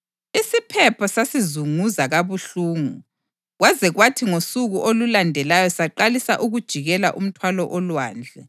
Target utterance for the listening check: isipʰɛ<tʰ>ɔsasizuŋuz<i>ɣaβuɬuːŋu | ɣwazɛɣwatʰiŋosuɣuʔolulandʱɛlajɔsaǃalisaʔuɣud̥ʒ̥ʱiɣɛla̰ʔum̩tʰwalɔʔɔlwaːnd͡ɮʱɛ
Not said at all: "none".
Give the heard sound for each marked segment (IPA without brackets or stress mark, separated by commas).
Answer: pʰ, a